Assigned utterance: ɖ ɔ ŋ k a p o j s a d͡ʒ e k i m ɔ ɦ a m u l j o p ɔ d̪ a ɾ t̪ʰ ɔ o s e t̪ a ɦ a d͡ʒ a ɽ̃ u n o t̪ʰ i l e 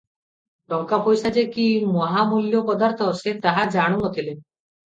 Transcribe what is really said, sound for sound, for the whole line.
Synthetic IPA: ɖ ɔ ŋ k a p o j s a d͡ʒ e k i m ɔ ɦ a m u l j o p ɔ d̪ a ɾ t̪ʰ ɔ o s e t̪ a ɦ a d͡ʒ a ɽ̃ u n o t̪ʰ i l e